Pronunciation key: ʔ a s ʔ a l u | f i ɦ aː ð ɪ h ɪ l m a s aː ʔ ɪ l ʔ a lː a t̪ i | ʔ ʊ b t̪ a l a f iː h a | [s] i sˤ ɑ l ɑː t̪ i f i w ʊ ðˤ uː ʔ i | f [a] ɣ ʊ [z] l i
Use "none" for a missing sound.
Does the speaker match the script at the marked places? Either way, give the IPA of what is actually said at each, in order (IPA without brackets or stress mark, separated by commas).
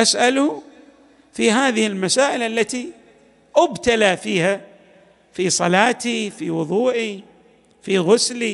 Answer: f, i, s